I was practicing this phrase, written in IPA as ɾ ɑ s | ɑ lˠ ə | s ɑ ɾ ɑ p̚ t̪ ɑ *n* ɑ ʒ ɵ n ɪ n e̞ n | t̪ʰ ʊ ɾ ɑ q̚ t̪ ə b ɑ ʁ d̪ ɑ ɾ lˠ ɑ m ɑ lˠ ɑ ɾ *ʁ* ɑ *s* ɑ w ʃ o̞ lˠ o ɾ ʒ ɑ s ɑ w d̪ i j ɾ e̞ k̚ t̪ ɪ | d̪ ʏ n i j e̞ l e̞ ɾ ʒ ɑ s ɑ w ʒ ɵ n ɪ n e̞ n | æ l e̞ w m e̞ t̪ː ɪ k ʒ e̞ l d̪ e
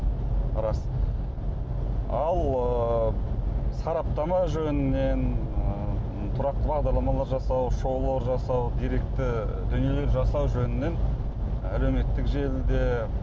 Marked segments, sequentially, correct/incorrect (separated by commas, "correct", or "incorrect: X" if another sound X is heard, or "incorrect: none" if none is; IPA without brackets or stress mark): incorrect: m, incorrect: ʒ, correct